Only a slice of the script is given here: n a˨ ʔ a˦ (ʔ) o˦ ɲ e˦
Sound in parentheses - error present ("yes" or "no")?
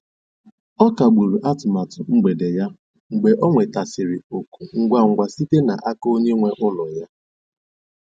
yes